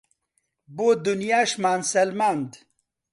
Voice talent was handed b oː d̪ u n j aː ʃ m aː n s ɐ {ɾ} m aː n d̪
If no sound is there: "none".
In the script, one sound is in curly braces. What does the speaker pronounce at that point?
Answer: l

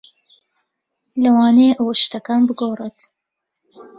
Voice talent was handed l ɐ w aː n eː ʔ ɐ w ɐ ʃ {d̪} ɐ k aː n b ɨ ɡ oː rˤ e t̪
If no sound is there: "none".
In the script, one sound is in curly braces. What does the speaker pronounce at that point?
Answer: t̪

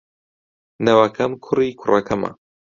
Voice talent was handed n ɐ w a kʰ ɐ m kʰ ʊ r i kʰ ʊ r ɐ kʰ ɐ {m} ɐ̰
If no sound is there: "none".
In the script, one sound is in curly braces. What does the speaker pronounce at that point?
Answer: m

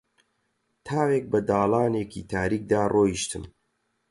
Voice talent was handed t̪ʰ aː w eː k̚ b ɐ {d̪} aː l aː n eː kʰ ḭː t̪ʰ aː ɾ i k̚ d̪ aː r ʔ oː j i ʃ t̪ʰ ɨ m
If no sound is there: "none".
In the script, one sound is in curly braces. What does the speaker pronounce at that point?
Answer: d̪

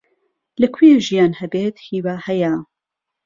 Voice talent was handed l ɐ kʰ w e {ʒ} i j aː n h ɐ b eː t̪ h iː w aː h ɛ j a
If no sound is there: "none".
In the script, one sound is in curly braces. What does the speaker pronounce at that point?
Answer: ʒ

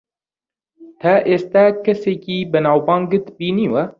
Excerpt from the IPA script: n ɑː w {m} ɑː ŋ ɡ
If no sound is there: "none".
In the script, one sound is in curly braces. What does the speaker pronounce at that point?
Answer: b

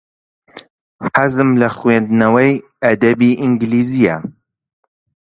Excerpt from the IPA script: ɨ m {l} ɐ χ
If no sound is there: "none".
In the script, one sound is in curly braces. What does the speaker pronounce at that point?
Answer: l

